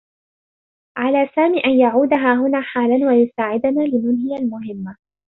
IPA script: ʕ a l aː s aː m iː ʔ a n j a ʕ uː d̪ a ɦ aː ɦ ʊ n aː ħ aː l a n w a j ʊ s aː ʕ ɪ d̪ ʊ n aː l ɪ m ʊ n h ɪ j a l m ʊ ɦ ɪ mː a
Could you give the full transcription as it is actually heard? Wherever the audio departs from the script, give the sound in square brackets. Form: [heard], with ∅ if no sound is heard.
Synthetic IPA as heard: ʕ a l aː s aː m iː ʔ a n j a ʕ uː d̪ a ɦ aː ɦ ʊ n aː ħ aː l a n w a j ʊ s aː ʕ ɪ d̪ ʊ n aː l ɪ m ʊ n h ɪ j a l m ʊ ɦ ɪ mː a